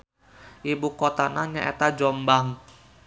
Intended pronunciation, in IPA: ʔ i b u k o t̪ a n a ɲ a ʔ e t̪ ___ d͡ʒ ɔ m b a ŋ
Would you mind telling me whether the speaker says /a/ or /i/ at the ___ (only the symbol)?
a